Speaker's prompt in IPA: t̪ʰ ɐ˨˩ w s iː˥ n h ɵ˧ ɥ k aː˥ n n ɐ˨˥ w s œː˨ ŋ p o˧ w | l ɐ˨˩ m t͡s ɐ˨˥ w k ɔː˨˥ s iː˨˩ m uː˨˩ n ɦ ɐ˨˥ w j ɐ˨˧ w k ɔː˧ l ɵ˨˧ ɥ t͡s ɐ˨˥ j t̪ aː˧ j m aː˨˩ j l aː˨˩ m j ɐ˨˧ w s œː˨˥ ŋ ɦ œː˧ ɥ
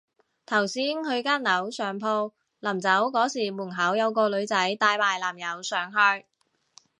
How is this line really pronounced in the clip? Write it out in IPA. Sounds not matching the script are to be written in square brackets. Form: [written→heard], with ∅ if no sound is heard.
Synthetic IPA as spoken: t̪ʰ ɐ˨˩ w s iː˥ n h ɵ˧ ɥ k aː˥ n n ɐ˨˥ w s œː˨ ŋ [p→pʰ] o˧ w | l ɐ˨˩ m t͡s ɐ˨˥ w k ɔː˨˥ s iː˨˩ m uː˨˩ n ɦ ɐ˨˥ w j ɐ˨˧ w k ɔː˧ l ɵ˨˧ ɥ t͡s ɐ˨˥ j t̪ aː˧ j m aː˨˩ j l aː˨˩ m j ɐ˨˧ w s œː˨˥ ŋ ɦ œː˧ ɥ